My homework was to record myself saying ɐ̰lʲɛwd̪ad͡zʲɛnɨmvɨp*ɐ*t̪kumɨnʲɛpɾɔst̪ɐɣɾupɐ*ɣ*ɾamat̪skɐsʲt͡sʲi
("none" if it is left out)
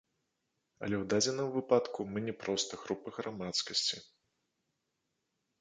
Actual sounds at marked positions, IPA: a, ɣ

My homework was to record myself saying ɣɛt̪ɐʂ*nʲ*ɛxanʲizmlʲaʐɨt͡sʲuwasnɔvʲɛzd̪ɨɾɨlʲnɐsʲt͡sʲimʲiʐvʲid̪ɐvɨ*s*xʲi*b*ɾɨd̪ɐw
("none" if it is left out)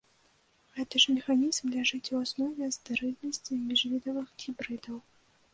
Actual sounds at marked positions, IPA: mʲ, x, b

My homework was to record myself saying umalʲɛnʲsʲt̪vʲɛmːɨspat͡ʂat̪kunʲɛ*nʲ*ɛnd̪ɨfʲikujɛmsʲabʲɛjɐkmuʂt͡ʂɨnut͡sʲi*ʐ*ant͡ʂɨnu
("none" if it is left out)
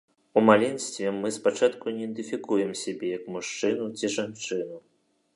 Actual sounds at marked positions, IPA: none, ʐ

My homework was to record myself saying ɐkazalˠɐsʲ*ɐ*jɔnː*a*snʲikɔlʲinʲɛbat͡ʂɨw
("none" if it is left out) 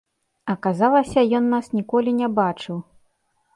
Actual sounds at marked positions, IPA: ɐ, a

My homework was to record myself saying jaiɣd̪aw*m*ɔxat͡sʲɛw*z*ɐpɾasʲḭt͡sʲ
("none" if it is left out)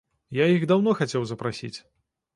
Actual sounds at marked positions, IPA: n, z

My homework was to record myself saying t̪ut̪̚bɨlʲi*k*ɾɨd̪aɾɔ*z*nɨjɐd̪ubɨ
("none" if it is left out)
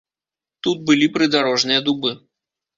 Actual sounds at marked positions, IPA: p, ʐ

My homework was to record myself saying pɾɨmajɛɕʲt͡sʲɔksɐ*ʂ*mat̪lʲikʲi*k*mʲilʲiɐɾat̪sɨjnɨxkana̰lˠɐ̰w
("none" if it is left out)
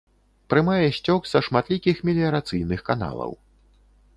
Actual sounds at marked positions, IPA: ʂ, x

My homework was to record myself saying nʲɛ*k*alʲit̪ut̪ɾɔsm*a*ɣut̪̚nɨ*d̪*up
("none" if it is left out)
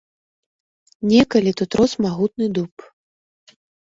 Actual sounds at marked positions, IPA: k, a, d̪

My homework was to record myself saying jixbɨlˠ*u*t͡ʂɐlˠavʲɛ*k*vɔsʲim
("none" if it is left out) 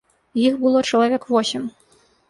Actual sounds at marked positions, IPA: ɔ, k

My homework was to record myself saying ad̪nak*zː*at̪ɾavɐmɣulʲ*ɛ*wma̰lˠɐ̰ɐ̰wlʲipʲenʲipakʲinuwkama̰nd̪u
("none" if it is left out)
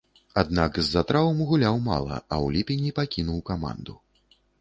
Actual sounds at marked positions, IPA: zː, a

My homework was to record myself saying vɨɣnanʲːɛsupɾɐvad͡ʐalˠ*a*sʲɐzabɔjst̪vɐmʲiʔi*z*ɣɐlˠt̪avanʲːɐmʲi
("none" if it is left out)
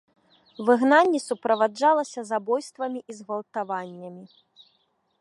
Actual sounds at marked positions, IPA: ɐ, z

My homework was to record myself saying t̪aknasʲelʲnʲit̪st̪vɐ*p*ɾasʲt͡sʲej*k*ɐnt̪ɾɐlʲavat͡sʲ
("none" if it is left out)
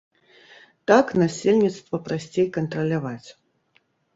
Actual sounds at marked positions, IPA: p, k

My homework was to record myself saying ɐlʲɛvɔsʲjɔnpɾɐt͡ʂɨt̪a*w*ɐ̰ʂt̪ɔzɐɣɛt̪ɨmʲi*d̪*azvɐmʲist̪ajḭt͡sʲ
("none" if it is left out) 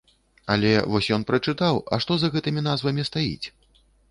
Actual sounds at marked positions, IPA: w, n̪

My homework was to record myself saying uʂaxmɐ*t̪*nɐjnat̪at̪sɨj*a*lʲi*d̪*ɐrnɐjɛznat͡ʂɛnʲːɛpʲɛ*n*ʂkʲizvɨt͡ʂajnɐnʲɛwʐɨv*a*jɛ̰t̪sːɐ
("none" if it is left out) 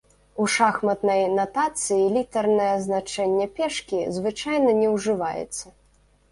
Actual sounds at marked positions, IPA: t̪, i, t̪, none, a

